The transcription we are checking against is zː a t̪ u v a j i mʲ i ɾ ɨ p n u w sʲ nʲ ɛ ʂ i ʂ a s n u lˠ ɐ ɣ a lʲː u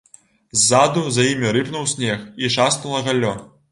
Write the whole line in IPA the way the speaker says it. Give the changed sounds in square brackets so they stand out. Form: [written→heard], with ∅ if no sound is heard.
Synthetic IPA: zː a [t̪→d̪] u [v→z] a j i mʲ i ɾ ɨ p n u w sʲ nʲ ɛ [ʂ→x] i ʂ a s n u lˠ ɐ ɣ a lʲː [u→ɔ]